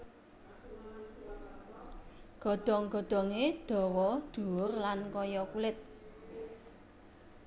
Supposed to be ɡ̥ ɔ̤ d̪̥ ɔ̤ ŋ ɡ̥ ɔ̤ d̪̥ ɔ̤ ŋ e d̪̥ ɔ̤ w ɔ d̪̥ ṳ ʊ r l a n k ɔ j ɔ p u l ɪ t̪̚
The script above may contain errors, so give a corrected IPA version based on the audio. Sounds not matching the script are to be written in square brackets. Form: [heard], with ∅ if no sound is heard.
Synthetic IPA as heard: ɡ̥ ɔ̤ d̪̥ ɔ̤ ŋ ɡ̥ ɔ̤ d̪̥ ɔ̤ ŋ e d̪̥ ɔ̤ w ɔ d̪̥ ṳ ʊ r l a n k ɔ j ɔ [k] u l ɪ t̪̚